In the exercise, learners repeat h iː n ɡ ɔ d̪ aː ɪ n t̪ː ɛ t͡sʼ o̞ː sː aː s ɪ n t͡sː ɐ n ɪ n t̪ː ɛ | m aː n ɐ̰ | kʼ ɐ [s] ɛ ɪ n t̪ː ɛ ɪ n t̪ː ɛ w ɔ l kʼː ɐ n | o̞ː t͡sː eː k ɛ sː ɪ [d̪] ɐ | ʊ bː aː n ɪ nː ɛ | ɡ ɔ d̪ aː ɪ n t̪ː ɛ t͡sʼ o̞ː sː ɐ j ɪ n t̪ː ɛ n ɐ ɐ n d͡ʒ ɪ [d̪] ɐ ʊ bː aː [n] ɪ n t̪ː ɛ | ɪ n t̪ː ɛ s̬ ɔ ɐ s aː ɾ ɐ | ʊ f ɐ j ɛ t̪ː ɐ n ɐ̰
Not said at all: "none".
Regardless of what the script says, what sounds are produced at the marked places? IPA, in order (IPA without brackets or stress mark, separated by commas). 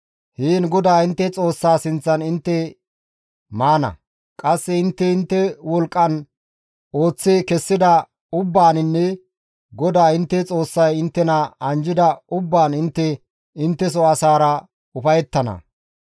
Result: sː, d̪, d̪, n